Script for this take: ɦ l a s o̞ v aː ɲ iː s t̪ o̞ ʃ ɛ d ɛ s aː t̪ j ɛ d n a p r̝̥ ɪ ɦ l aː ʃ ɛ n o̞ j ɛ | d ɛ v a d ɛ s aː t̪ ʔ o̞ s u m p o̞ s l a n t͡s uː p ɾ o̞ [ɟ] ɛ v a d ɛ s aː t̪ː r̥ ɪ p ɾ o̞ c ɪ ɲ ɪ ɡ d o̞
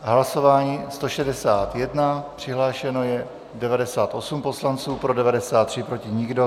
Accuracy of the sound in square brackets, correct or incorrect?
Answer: incorrect